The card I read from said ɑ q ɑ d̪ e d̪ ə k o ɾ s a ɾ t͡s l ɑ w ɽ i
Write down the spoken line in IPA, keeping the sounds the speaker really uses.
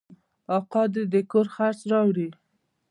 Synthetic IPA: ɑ q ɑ d̪ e d̪ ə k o ɾ x a ɾ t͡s ɾ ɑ w ɽ i

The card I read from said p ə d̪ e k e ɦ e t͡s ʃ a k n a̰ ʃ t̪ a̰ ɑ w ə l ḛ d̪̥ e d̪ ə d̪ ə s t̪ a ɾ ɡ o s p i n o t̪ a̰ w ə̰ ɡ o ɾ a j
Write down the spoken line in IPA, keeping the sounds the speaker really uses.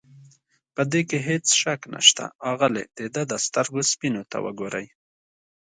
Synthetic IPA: p ə d̪ e k e ɦ e t͡s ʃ a k n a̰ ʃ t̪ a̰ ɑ ɣ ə l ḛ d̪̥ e d̪ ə d̪ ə s t̪ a ɾ ɡ o s p i n o t̪ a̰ w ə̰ ɡ o ɾ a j

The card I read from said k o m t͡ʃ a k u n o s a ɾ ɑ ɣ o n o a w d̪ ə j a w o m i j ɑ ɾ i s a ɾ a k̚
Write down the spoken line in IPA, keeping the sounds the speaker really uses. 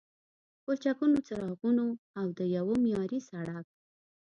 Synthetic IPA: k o t͡ʃ a k u n o t͡s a ɾ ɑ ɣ u n o a w d̪ ə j a w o m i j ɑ ɾ i s a ɽ a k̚

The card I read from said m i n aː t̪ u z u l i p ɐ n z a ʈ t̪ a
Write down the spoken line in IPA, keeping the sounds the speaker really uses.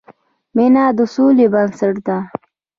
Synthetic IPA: m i n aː d̪ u s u l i b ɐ n s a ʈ d̪ a

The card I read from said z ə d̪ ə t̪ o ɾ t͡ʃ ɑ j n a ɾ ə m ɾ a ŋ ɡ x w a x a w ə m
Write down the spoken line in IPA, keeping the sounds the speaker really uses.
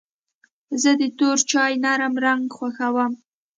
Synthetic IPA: z ə d̪ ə t̪ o ɾ t͡ʃ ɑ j n a ɾ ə m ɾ a ŋ ɡ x w a x a w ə m

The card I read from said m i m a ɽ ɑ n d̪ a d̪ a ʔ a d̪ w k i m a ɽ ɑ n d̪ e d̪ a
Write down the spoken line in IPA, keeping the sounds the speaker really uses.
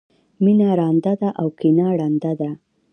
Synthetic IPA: m i n a ɾ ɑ n d̪ a d̪ a ʔ a w k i n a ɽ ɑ n d̪ a d̪ a

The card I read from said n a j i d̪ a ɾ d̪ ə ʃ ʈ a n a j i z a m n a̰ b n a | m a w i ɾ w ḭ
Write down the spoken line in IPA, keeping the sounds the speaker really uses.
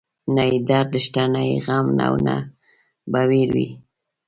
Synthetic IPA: n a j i d̪ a ɾ d̪ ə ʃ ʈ a n a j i ɣ a m n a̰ w n a | b a w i ɾ w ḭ

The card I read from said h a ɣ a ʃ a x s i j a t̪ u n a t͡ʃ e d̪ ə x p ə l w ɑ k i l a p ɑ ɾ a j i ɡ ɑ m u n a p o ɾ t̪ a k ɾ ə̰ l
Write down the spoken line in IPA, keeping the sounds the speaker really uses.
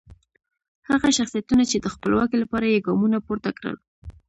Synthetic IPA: h a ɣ a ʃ a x s i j a t̪ u n a t͡ʃ e d̪ ə x p ə l w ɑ k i l a p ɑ ɾ a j e ɡ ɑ m u n a p o ɾ t̪ a k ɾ ə̰ l

